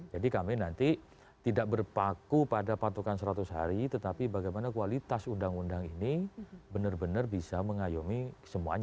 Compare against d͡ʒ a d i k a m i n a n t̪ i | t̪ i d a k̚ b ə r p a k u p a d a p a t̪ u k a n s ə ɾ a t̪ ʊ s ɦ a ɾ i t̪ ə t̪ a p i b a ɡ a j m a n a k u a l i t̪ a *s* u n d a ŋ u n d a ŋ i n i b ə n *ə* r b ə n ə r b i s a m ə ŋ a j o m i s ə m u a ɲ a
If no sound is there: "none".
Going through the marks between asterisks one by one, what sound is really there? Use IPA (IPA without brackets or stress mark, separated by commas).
s, ə